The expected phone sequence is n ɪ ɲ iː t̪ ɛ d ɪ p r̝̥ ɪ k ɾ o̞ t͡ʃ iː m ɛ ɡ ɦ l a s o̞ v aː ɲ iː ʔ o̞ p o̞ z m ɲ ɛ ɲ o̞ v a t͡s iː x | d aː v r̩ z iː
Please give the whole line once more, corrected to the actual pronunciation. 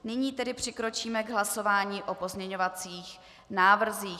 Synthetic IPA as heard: n ɪ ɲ iː t̪ ɛ d ɪ p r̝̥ ɪ k ɾ o̞ t͡ʃ iː m ɛ ɡ ɦ l a s o̞ v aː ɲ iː ʔ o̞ p o̞ z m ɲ ɛ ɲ o̞ v a t͡s iː x | n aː v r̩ z iː